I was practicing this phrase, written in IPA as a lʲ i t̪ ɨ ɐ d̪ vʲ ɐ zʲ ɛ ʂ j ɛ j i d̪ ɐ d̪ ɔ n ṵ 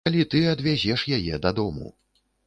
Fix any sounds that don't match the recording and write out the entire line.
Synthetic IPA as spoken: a lʲ i t̪ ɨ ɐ d̪ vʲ a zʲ ɛ ʂ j a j ɛ d̪ ɐ d̪ ɔ m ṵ